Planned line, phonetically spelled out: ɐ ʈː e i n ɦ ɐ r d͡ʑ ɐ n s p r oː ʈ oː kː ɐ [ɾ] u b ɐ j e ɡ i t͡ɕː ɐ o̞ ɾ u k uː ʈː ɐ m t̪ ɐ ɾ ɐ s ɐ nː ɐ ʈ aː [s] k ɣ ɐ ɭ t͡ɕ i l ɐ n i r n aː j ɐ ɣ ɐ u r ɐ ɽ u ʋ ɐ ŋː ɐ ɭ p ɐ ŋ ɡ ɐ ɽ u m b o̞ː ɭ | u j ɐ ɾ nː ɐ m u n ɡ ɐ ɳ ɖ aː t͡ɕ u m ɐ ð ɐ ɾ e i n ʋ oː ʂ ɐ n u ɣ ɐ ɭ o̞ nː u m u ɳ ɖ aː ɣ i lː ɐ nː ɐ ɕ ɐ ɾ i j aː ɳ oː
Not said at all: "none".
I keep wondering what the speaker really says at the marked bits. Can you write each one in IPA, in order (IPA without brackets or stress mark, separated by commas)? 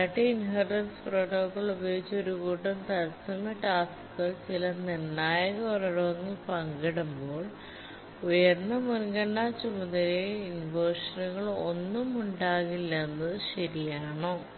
ɭ, s